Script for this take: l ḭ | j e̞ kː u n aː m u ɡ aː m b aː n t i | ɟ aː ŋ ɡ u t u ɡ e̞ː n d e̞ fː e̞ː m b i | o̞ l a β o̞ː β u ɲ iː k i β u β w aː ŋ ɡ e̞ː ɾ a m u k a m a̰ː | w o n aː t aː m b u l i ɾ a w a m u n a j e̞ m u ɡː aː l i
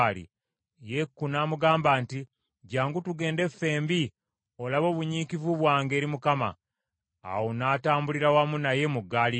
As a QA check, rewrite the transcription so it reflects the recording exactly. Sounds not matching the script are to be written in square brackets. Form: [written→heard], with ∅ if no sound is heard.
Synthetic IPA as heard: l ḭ | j e̞ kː u n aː m u ɡ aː m b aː n t i | ɟ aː ŋ ɡ u t u ɡ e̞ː n d e̞ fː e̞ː m b i | o̞ l a β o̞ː β u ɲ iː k i [β→v] u β w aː ŋ ɡ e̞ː ɾ [a→i] m u k a m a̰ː | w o n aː t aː m b u l i ɾ a w a m u n a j e̞ m u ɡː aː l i